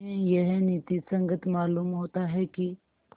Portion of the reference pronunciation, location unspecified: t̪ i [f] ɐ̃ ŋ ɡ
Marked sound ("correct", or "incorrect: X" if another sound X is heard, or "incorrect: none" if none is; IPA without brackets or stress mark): incorrect: s